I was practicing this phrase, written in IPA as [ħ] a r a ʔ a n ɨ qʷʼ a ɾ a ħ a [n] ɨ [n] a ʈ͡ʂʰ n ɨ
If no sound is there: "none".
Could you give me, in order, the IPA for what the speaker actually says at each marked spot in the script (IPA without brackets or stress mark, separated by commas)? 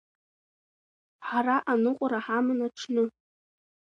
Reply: ħ, m, n